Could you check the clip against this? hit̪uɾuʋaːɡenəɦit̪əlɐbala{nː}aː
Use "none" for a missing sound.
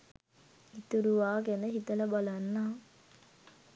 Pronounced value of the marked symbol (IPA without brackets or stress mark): nː